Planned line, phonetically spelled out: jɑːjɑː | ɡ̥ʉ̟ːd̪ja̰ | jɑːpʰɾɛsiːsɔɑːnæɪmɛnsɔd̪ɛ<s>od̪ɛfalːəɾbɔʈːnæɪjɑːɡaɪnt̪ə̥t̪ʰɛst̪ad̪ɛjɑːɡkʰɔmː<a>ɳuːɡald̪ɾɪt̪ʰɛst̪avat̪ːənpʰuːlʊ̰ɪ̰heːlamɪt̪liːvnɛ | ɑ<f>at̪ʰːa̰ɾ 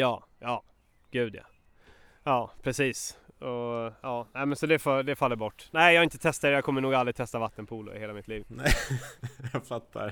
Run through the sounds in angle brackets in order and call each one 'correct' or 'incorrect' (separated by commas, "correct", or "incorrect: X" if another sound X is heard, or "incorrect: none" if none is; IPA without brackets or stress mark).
incorrect: f, incorrect: ə, correct